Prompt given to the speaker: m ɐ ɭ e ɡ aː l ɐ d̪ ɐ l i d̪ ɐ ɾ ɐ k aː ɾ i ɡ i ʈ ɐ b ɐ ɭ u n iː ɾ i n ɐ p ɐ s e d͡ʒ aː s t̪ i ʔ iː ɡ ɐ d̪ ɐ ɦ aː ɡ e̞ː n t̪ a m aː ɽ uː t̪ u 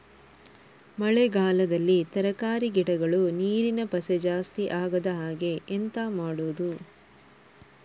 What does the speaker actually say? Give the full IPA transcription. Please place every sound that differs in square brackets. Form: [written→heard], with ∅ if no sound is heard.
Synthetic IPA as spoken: m ɐ ɭ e ɡ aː l ɐ d̪ ɐ [l→lː] i [d̪→t̪] ɐ ɾ ɐ k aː ɾ i ɡ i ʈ ɐ [b→ɡ] ɐ ɭ u n iː ɾ i n ɐ p ɐ s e d͡ʒ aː s t̪ i ʔ [iː→aː] ɡ ɐ d̪ ɐ ɦ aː ɡ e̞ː n t̪ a m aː ɽ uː [t̪→d̪] u